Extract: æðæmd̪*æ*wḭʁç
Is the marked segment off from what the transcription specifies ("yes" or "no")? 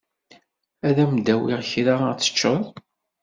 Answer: no